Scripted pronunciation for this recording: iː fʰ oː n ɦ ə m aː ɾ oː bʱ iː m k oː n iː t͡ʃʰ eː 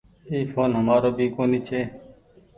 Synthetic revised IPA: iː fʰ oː n ɦ ə m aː ɾ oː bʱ iː k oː n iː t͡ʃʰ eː